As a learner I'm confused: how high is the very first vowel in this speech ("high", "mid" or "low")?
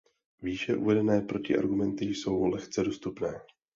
high